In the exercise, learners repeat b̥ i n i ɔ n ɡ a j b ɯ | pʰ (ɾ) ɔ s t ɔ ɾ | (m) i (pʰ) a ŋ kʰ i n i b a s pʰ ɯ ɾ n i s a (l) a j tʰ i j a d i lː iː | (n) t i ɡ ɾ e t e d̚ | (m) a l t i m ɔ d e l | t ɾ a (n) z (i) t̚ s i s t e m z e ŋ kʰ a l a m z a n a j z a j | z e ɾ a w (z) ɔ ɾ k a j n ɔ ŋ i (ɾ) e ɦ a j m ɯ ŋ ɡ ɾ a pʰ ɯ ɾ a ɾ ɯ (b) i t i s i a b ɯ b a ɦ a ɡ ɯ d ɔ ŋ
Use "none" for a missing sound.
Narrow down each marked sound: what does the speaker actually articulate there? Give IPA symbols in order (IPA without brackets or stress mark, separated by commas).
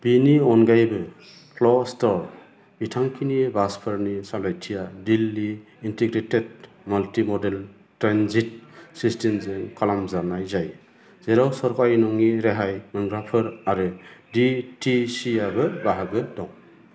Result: l, b, tʰ, l, n, m, n, i, s, ɾ, d